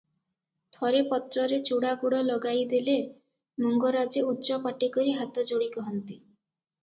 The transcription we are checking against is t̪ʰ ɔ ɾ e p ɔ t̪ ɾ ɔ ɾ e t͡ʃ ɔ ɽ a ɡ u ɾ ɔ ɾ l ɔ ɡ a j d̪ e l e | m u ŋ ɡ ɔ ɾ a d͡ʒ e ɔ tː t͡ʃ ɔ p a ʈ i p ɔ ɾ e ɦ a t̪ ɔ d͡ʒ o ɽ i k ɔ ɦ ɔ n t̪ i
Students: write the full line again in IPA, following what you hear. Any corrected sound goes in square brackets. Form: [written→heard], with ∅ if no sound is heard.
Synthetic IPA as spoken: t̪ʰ ɔ ɾ e p ɔ t̪ ɾ ɔ ɾ e t͡ʃ [ɔ→u] ɽ a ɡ u [ɾ→ɽ] ɔ [ɾ→∅] l ɔ ɡ a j d̪ e l e | m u ŋ ɡ ɔ ɾ a d͡ʒ e [ɔ→u] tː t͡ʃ ɔ p a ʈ i [p→k] ɔ ɾ [e→i] ɦ a t̪ ɔ d͡ʒ o ɽ i k ɔ ɦ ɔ n t̪ i